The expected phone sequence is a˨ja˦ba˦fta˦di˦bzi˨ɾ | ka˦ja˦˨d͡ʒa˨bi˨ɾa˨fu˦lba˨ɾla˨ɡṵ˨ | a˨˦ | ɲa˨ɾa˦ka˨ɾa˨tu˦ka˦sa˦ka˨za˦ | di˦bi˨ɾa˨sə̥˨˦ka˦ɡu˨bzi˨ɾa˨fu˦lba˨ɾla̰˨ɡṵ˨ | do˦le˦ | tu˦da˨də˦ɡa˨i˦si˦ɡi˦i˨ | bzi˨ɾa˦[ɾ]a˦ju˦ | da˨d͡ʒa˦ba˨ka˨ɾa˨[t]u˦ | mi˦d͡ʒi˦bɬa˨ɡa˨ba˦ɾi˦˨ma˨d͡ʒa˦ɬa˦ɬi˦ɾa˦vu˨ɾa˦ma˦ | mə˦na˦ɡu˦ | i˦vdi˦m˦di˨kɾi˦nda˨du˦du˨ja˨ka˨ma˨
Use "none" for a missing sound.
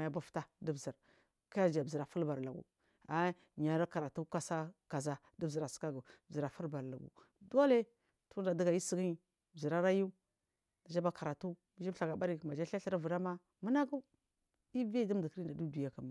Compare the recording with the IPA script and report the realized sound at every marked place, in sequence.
ɾ, t

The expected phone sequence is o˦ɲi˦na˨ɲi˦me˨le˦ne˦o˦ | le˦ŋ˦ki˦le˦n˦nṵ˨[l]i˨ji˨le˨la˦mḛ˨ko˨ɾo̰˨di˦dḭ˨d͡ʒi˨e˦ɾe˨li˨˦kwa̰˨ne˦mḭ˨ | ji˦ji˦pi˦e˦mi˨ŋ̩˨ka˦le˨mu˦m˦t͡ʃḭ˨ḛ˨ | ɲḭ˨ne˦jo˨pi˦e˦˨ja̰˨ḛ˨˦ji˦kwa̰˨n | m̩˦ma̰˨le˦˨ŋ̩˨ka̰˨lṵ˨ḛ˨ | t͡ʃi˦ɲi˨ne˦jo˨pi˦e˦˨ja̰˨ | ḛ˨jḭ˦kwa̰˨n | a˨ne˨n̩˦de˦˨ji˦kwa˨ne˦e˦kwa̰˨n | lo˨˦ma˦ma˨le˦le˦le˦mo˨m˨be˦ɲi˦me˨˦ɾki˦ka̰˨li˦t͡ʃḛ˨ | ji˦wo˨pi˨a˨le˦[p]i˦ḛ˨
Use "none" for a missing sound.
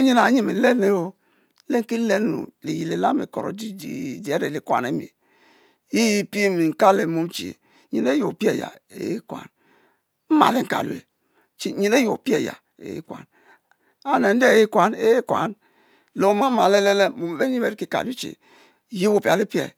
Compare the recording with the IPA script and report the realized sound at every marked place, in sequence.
l, p

